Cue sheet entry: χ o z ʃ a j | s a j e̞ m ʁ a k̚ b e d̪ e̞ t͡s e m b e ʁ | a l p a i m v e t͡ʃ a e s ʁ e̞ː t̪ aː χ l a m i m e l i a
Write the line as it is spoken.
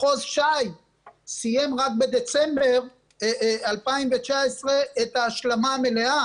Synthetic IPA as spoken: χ o z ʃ a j | s i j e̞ m ʁ a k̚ b e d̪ e̞ t͡s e m b e ʁ | a l p a i m v e t͡ʃ a e s ʁ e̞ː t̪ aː ʃ l a m a m e l e a